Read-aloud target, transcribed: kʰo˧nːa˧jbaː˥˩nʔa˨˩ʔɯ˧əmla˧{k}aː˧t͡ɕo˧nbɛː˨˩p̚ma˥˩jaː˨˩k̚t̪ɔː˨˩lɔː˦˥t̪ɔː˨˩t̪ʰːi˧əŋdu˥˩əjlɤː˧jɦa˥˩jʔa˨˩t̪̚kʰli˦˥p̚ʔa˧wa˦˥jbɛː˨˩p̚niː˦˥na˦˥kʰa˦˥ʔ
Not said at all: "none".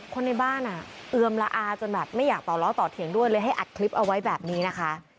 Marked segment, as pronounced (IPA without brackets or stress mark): ʔ